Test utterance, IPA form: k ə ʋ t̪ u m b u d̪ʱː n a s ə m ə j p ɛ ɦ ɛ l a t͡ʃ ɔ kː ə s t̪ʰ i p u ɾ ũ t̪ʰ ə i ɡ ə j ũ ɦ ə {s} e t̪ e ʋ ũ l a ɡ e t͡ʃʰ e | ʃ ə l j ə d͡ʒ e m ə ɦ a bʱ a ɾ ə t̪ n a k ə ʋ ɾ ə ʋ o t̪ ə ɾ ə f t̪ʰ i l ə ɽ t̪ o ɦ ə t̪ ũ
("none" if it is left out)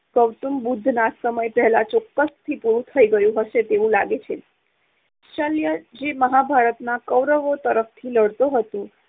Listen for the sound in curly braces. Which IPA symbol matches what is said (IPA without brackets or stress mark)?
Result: ʃ